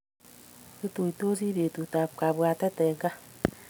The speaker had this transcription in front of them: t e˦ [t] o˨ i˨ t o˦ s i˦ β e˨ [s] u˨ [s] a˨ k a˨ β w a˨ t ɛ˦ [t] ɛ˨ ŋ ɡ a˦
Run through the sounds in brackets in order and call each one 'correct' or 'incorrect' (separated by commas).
correct, incorrect, incorrect, correct